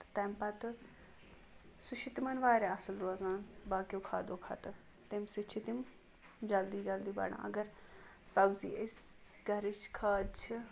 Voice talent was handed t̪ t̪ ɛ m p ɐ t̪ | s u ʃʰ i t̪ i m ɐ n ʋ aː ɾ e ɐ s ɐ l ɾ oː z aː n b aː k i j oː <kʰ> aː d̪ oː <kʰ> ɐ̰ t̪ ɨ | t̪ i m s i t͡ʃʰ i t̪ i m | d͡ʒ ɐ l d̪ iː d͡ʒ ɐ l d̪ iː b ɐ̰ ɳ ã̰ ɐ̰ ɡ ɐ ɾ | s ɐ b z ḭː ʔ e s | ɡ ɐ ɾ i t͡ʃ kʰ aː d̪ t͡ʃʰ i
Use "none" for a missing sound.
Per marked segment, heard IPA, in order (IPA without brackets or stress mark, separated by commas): kʰ, kʰ